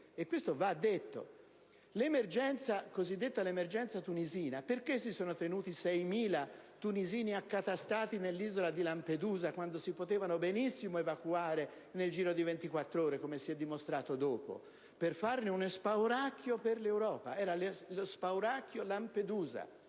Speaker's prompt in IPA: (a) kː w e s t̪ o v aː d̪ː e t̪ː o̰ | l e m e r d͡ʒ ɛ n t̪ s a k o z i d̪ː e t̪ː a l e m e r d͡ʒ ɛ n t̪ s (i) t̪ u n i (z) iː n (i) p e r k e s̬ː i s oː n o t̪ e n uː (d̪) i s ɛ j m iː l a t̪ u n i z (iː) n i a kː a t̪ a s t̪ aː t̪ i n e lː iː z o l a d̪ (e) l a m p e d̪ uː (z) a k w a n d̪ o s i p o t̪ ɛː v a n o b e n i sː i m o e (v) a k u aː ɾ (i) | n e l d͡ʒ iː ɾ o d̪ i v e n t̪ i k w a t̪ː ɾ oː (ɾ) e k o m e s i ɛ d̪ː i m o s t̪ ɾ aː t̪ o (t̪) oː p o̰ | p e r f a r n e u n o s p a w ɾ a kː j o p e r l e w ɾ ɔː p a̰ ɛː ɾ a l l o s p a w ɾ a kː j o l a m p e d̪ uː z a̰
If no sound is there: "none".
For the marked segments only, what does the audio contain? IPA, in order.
e, a, z, a, t̪, iː, i, z, v, e, ɾ, d̪

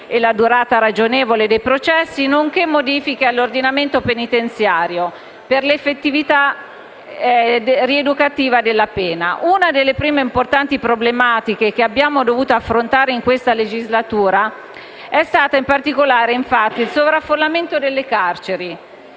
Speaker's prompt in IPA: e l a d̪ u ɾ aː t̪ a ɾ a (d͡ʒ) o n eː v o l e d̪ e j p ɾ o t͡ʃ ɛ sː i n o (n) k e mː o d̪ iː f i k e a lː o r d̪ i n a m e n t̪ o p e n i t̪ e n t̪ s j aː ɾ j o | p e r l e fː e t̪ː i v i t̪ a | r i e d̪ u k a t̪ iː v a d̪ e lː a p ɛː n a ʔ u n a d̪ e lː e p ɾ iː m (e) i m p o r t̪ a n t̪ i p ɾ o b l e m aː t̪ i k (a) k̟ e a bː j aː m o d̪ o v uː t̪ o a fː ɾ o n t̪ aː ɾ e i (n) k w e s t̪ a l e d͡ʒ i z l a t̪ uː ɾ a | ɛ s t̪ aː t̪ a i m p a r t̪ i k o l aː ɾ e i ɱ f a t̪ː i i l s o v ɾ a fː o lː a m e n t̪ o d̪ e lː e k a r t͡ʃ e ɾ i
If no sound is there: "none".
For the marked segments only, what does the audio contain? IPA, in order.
d͡ʒ, ŋ, e, e, ŋ

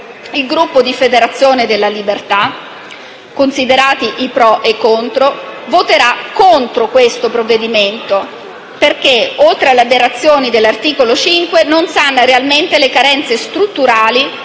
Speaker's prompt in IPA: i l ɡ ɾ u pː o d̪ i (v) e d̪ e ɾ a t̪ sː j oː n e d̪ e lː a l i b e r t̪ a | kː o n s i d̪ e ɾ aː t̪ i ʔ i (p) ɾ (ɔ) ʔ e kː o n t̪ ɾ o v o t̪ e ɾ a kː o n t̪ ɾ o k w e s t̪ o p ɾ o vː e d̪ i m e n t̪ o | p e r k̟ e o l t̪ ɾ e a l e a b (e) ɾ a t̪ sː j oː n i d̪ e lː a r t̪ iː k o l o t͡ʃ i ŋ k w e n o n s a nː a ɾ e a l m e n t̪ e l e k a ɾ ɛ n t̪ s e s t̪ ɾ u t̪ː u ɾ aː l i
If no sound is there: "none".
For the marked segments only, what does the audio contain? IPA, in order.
f, p, ɔ, e

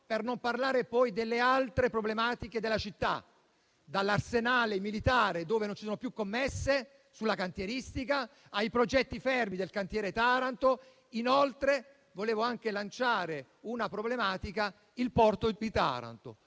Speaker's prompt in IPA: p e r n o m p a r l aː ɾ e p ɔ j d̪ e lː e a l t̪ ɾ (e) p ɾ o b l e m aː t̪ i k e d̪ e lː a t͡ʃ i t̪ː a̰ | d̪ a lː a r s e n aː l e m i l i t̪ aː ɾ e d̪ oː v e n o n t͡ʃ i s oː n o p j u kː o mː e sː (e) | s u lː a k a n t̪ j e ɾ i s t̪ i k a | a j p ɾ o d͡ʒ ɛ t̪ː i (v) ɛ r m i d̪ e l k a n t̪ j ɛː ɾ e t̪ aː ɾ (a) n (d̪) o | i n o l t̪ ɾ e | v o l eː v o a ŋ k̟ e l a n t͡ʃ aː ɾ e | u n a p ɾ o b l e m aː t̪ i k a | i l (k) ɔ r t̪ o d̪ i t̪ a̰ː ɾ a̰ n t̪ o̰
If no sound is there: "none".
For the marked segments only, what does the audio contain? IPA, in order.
e, e, f, a, t̪, p

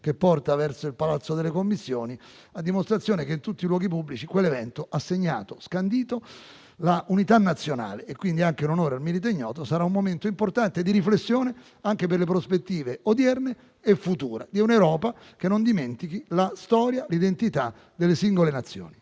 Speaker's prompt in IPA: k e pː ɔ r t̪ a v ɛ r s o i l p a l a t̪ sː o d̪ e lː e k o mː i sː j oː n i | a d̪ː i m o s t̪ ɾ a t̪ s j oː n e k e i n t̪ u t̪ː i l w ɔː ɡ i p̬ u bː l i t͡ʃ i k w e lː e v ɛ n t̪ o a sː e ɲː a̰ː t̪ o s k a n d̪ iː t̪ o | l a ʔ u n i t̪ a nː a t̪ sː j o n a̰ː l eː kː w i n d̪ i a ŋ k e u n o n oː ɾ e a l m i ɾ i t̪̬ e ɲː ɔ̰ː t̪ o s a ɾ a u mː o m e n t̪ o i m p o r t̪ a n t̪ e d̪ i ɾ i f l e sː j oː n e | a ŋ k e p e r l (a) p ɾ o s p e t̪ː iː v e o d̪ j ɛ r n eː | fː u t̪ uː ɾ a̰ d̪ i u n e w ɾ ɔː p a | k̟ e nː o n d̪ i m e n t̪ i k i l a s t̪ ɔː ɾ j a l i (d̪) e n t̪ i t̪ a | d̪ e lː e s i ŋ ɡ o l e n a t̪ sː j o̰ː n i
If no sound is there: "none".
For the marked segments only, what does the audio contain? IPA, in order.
e, d̪

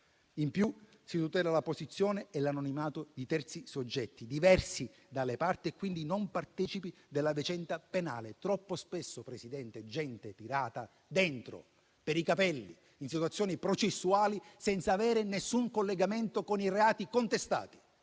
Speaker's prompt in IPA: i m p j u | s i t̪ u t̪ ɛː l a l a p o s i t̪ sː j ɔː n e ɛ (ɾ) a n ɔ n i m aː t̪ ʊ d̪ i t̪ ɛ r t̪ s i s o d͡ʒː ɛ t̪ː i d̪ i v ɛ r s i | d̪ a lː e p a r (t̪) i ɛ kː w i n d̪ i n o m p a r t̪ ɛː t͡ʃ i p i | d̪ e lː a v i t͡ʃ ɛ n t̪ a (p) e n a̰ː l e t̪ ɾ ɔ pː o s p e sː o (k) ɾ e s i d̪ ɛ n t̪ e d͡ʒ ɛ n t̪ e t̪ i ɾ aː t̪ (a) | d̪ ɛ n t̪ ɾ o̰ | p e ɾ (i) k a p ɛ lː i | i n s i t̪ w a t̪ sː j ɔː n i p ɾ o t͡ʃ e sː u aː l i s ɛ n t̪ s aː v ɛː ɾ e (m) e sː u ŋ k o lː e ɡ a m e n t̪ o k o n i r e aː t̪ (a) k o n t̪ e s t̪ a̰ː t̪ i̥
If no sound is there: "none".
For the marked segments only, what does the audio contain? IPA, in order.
l, t̪, p, p, a, i, n, i

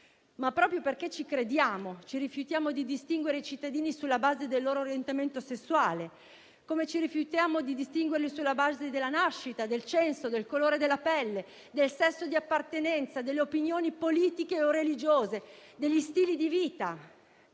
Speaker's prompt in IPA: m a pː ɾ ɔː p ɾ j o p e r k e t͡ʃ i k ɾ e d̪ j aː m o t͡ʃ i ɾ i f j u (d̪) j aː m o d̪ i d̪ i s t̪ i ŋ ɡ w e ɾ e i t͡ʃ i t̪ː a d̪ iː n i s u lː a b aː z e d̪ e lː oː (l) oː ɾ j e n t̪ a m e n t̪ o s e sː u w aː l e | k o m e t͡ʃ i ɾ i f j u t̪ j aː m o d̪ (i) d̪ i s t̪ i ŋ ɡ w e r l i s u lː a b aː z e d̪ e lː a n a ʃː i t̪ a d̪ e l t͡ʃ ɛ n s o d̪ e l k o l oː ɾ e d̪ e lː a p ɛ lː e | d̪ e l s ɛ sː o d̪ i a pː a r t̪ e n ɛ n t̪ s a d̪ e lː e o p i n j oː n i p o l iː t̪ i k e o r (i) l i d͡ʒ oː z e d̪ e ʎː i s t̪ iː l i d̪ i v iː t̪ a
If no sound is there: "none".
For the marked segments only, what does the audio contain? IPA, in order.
t̪, ɾ, i, e

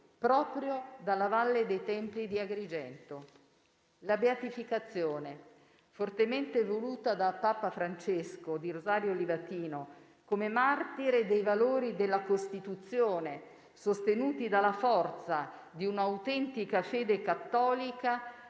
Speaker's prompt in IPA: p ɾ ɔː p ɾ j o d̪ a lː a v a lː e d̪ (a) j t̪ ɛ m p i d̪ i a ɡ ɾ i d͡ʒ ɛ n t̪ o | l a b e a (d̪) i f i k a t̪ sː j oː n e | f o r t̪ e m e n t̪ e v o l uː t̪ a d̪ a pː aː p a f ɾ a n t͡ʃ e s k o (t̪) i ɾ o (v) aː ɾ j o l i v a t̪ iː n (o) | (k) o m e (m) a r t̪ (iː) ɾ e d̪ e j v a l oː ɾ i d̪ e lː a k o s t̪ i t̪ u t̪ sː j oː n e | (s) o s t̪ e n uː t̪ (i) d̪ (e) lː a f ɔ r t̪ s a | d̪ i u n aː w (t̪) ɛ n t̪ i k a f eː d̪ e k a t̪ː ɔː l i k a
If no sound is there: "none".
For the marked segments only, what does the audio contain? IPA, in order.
e, t̪, d̪, z, o, k, m, i, s, i, a, t̪

